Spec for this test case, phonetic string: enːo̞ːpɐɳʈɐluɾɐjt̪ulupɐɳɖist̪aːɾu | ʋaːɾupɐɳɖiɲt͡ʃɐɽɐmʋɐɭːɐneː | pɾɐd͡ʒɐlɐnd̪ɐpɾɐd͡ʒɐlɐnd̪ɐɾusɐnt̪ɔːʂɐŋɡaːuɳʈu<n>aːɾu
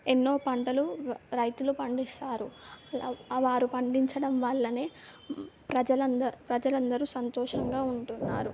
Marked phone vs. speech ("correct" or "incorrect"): incorrect